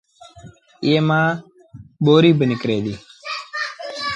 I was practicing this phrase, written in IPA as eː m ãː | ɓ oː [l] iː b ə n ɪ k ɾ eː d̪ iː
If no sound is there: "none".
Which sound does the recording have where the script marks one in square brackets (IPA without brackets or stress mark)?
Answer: ɾ